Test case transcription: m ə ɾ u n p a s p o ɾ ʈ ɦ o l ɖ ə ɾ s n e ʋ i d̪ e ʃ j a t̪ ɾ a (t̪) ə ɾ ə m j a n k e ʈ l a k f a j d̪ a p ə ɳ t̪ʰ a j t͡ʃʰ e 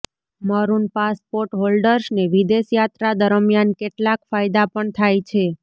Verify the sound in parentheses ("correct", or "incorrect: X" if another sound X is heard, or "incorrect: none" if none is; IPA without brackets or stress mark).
incorrect: d̪